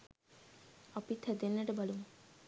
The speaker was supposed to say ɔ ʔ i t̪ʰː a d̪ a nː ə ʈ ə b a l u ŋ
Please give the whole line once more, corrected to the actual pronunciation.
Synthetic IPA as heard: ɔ p i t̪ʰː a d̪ e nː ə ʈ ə b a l u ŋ